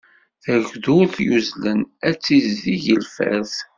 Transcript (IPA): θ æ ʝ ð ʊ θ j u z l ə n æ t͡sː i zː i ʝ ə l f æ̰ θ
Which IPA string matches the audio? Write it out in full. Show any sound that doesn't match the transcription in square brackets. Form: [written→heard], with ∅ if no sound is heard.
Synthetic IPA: θ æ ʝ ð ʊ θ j u z l ə n æ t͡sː i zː i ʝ ə l f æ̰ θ